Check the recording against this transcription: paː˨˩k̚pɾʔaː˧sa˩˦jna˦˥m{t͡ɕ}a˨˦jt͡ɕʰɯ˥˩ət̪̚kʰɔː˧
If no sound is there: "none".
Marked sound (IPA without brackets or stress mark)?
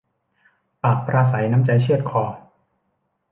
t͡ɕ